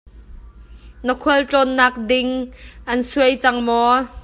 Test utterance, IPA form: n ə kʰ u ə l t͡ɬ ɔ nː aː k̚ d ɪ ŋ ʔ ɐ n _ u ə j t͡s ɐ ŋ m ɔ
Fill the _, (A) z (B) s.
B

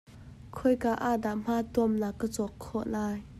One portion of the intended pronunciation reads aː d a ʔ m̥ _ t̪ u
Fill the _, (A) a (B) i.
A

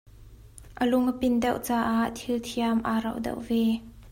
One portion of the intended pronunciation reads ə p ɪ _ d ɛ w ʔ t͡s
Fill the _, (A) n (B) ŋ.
A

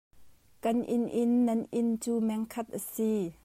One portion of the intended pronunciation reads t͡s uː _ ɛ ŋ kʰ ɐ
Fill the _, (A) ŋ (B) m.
B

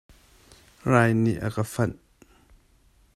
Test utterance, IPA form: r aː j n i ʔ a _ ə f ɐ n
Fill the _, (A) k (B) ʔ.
A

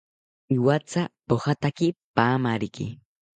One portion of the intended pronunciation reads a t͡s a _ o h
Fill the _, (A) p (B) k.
A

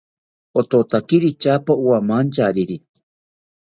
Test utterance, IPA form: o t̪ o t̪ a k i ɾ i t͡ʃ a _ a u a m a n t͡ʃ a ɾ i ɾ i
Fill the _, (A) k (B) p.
B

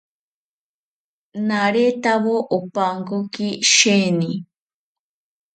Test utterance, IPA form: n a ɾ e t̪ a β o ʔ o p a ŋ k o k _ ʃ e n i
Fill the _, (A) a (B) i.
B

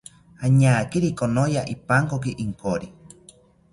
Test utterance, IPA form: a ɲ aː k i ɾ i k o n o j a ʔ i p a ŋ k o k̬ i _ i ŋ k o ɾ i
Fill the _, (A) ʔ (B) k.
A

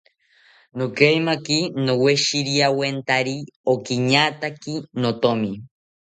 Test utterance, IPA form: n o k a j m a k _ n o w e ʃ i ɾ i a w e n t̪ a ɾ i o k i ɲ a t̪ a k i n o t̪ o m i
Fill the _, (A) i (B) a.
A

